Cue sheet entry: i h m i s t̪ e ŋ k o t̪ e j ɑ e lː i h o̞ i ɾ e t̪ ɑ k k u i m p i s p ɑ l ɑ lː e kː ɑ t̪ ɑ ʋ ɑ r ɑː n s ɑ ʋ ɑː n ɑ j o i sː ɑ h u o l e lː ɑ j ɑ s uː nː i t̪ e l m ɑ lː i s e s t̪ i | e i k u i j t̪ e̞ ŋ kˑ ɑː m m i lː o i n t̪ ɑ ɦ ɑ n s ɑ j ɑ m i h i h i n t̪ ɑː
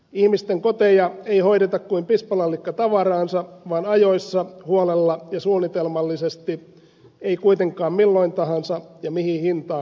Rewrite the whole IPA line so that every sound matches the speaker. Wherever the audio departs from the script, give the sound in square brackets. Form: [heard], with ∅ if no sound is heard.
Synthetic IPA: i h m i s t̪ e ŋ k o t̪ e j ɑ e [∅] i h o̞ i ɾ e t̪ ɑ k k u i m p i s p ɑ l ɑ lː [i] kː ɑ t̪ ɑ ʋ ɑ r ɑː n s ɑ ʋ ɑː n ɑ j o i sː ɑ h u o l e lː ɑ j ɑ s uː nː i t̪ e l m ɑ lː i s e s t̪ i | e i k u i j t̪ e̞ ŋ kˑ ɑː m m i lː o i n t̪ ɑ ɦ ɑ n s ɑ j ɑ m i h i h i n t̪ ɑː